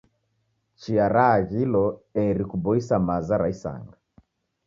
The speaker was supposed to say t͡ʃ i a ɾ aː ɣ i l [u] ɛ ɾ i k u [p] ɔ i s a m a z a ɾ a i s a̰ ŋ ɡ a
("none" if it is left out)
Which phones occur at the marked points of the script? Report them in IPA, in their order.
ɔ, b

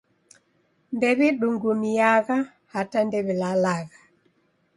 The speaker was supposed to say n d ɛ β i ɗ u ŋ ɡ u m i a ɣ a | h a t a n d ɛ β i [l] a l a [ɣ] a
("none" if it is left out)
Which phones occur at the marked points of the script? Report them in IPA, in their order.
l, ɣ

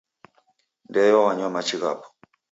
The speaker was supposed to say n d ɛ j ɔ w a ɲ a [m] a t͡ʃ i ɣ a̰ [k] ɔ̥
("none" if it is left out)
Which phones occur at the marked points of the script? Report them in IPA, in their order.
m, p

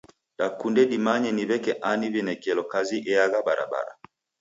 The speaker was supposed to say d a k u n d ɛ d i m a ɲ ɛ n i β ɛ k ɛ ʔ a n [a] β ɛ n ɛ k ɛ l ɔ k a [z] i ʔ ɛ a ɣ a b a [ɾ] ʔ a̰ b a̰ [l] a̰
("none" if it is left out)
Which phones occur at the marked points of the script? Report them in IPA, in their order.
i, z, ɾ, ɾ

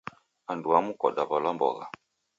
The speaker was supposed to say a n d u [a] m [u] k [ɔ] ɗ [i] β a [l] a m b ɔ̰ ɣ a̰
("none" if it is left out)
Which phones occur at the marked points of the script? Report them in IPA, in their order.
a, u, ɔ, a, l

